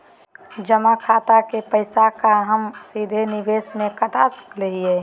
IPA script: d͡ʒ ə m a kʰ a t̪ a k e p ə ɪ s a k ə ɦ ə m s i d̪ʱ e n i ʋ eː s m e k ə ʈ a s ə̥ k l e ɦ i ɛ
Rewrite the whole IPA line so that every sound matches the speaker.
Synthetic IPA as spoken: d͡ʒ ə m a kʰ a t̪ a k e p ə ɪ s a k a ɦ ə m s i d̪ʱ e n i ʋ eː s m e k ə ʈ a s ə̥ k l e ɦ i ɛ